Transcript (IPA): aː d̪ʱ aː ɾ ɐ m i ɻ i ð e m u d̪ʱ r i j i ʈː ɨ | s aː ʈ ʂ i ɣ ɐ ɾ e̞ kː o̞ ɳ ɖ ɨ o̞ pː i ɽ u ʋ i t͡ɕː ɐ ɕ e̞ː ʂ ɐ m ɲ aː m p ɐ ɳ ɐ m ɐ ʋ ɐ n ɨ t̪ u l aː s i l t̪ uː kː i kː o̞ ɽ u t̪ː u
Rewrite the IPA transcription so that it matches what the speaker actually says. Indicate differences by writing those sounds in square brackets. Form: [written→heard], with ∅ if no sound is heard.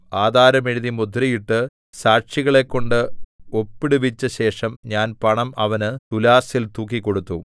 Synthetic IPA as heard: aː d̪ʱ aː ɾ ɐ m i ɻ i ð [e→i] m u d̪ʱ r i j i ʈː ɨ | s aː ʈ ʂ i ɣ ɐ [ɾ→ɭ] e̞ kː o̞ ɳ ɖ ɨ o̞ pː i ɽ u ʋ i t͡ɕː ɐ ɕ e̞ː ʂ ɐ m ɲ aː [m→n] p ɐ ɳ ɐ m ɐ ʋ ɐ n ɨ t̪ u l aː s i l t̪ uː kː i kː o̞ ɽ u t̪ː u